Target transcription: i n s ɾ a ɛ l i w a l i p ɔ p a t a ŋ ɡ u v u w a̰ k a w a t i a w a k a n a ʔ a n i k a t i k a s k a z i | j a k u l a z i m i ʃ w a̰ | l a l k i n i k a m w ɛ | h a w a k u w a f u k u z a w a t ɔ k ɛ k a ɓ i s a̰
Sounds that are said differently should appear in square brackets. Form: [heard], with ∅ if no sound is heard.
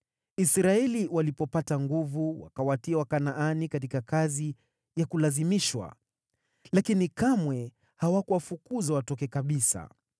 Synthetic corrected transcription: i [∅] s ɾ a ɛ l i w a l i p ɔ p a t a ŋ ɡ u v u w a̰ k a w a t i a w a k a n a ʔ a n i k a t i k a [∅] k a z i | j a k u l a z i m i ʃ w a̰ | l a [∅] k i n i k a m w ɛ | h a w a k u w a f u k u z a w a t ɔ k ɛ k a ɓ i s a̰